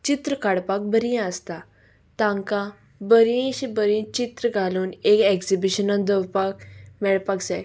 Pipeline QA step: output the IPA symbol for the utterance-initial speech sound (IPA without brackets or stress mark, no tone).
t͡ɕ